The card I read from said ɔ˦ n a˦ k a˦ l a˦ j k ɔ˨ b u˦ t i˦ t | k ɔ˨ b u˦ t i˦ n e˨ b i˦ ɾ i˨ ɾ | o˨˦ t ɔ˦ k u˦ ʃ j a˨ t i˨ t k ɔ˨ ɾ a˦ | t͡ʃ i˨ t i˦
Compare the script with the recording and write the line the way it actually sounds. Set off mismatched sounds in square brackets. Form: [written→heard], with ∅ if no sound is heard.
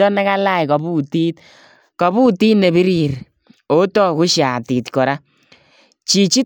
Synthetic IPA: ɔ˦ n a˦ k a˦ l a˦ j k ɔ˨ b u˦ t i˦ t | k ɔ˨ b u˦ t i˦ n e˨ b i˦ ɾ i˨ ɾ | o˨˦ t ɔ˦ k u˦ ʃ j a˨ t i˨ t k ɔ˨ ɾ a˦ | t͡ʃ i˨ [t→t͡ʃ] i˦